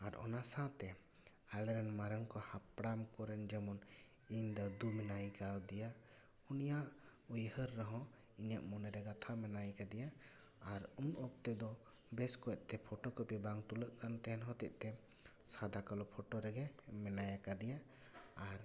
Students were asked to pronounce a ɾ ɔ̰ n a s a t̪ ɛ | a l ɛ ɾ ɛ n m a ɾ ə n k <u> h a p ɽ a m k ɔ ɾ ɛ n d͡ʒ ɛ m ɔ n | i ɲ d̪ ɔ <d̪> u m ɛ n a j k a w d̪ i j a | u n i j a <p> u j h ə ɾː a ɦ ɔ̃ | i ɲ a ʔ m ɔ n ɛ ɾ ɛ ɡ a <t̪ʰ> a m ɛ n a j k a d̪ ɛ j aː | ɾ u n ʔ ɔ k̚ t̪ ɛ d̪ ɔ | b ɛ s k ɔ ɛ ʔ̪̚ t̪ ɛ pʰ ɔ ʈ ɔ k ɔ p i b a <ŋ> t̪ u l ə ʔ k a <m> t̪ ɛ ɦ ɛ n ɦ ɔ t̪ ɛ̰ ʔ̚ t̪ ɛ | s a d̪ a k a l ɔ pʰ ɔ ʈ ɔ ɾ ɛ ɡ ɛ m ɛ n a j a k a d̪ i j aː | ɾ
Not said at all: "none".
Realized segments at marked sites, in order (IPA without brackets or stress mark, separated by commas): ɔ, d̪, ʔ, t̪ʰ, ŋ, n